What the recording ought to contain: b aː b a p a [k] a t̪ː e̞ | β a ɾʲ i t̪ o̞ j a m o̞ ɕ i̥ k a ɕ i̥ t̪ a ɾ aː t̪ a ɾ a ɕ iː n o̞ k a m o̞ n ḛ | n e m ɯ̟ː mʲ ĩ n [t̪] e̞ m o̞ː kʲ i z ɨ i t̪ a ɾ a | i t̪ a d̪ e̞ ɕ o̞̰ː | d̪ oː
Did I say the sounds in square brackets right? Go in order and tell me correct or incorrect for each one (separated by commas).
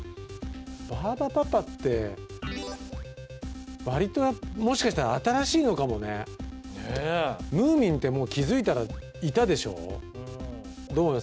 incorrect, correct